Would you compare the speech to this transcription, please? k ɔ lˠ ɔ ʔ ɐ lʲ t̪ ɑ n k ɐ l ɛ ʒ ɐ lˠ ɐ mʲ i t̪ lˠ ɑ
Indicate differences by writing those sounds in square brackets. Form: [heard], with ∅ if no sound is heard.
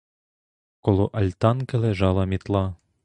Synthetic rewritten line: k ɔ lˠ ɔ ʔ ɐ lʲ t̪ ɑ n k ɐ l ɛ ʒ [ɑ] lˠ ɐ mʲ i t̪ lˠ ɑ

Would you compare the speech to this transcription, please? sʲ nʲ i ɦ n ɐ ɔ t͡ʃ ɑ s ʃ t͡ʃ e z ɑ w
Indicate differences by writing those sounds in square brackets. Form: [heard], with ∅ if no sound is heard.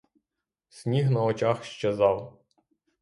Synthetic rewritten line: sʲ nʲ i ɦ n ɐ ɔ t͡ʃ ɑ [x] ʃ t͡ʃ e z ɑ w

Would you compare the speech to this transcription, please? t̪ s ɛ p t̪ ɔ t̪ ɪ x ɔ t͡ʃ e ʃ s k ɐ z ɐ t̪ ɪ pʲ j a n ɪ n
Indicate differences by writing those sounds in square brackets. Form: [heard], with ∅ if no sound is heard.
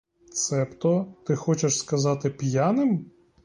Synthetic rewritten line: t̪ s ɛ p t̪ ɔ t̪ ɪ x ɔ t͡ʃ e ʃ s k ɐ z [ɑ] t̪ ɪ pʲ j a n ɪ [m]

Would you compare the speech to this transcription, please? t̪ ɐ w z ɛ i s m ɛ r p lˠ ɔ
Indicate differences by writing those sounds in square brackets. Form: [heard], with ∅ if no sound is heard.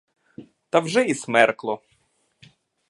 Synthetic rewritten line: t̪ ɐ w [ʒ] ɛ i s m ɛ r [k] lˠ ɔ

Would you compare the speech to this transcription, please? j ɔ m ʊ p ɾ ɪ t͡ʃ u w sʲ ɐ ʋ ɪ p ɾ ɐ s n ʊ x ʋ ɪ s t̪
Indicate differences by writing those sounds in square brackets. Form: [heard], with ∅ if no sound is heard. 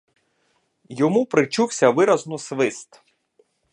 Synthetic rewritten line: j ɔ m [u] p ɾ ɪ t͡ʃ u w sʲ ɐ ʋ ɪ [∅] ɾ ɐ [z] n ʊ [s] ʋ ɪ s t̪

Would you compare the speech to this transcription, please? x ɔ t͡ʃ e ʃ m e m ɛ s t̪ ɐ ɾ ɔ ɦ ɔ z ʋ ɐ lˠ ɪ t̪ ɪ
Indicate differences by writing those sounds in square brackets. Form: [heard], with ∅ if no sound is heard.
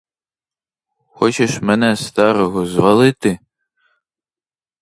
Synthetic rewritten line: x ɔ t͡ʃ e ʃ m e [n] ɛ s t̪ [ɑ] ɾ ɔ ɦ ɔ z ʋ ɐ lˠ ɪ t̪ ɪ

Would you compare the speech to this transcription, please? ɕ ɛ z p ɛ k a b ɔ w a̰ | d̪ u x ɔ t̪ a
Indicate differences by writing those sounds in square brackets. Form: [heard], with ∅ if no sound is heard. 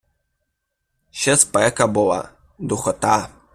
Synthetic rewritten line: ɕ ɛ [s] p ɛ k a b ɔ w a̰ | d̪ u x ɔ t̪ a

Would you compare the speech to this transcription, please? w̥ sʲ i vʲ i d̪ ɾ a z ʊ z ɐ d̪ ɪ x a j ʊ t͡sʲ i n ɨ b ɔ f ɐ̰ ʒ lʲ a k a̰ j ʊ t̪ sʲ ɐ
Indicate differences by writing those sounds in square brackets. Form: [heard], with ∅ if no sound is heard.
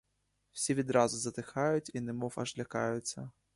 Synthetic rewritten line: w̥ sʲ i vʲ i d̪ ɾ a z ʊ z ɐ [t̪] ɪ x a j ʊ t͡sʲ i n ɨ [m] ɔ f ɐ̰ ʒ lʲ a k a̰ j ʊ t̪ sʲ ɐ

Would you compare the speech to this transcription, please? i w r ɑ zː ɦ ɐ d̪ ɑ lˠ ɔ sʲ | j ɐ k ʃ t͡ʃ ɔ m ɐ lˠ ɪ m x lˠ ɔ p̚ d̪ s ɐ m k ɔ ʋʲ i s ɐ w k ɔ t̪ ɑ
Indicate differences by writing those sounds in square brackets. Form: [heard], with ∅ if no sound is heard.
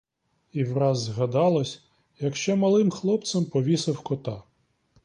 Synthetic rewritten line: i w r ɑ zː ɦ ɐ d̪ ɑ lˠ ɔ sʲ | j ɐ k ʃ t͡ʃ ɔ m ɐ lˠ ɪ m x lˠ ɔ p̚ [t̪] s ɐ m [p] ɔ ʋʲ i s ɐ w k ɔ t̪ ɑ

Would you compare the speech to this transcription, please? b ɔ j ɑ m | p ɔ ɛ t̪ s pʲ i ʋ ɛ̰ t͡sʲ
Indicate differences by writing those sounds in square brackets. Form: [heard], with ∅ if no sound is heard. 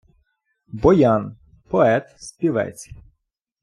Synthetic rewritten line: b ɔ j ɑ [n] | p ɔ ɛ t̪ s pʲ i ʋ ɛ̰ t͡sʲ

